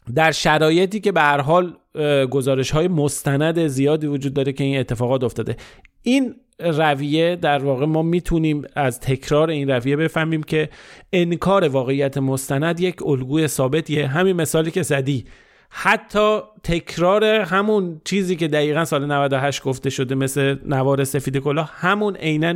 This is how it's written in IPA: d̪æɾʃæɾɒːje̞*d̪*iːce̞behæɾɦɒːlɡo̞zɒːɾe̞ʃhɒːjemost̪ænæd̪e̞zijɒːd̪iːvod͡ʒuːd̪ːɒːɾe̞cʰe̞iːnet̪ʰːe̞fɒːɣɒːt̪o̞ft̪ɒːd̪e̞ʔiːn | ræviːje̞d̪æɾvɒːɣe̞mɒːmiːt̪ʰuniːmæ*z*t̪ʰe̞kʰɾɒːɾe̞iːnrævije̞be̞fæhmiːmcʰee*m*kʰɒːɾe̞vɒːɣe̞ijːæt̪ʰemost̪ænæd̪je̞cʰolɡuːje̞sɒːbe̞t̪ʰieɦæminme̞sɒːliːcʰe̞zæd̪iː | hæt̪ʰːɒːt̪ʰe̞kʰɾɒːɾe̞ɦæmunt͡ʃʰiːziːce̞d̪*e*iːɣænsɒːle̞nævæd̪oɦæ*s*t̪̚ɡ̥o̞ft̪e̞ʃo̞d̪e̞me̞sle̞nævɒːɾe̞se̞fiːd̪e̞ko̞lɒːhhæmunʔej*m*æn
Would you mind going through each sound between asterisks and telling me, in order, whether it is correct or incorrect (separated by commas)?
incorrect, correct, incorrect, incorrect, incorrect, incorrect